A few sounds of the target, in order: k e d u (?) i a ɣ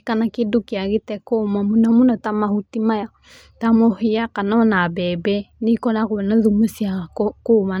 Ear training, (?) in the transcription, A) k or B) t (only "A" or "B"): A